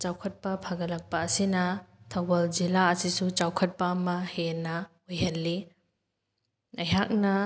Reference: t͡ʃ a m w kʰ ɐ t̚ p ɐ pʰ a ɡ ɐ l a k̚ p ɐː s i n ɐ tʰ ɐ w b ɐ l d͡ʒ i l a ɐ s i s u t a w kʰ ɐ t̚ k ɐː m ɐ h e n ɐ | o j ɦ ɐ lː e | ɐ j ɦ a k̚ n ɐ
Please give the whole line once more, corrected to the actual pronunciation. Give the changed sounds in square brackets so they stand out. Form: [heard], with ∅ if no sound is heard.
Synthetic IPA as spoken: t͡ʃ a [∅] w kʰ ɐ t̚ p ɐ pʰ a ɡ ɐ l [ɐ] k̚ p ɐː s i n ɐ tʰ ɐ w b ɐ l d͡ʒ i l a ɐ s i s u [t͡ʃ] a w kʰ ɐ t̚ [p] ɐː m ɐ h e n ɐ | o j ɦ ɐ lː [i] | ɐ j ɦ a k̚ n ɐ